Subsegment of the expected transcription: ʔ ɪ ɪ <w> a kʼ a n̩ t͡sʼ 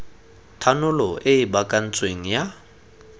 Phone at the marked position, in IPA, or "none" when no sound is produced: b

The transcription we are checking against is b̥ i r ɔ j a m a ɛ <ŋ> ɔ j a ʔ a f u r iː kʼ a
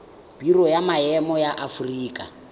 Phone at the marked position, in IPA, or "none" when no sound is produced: m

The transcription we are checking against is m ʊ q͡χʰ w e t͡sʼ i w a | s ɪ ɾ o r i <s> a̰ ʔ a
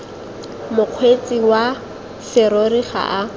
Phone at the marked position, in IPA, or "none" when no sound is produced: χ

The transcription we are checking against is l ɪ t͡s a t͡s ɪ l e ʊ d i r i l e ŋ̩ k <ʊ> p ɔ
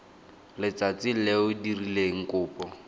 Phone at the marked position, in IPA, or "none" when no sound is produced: ʊː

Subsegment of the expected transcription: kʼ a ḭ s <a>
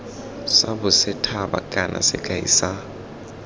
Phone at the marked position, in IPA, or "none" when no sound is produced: a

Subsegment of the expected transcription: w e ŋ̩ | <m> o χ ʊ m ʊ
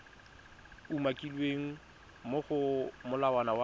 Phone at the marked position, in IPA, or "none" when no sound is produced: m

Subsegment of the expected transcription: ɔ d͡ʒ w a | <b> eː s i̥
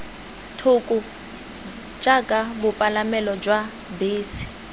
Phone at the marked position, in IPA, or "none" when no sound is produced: b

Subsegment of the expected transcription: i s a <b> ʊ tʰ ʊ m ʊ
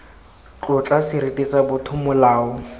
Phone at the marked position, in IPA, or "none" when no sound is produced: b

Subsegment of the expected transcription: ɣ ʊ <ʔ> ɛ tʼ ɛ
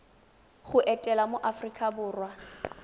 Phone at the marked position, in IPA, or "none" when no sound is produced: ʔ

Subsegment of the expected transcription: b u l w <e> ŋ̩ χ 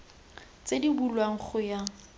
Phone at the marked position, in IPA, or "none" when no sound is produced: a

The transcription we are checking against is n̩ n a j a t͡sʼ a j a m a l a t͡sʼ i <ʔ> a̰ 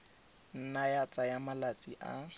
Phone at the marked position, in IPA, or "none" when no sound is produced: ʔ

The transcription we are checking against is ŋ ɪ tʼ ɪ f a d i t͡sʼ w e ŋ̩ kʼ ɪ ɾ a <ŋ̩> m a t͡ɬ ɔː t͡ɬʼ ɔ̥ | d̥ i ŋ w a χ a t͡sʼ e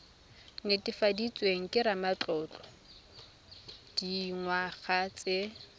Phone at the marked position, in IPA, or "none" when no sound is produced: none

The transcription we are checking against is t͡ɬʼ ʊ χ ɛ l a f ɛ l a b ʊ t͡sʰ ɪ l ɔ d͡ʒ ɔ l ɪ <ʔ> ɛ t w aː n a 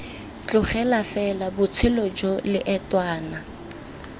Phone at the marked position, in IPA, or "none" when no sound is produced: ʔ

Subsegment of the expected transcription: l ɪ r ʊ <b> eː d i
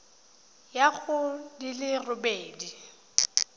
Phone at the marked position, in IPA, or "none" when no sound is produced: b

